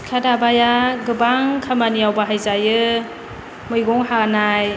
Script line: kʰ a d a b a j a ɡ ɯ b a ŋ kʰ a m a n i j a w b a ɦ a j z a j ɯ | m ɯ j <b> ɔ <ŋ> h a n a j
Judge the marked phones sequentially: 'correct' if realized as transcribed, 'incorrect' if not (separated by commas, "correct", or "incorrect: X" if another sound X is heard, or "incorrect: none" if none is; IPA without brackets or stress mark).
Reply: incorrect: ɡ, correct